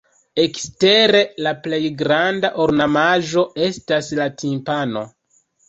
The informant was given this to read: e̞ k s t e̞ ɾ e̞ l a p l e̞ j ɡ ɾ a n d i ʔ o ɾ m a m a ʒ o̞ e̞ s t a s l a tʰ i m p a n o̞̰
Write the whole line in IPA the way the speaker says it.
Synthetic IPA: e̞ k s t e̞ ɾ e̞ l a p l e̞ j ɡ ɾ a n d a ʔ o ɾ n a m a ʒ o̞ e̞ s t a s l a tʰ i m p a n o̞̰